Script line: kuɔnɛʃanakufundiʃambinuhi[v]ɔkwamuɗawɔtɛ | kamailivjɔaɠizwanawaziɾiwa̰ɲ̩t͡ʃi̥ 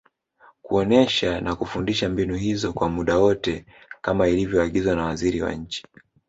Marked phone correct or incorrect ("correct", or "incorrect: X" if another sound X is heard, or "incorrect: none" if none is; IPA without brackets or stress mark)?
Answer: incorrect: z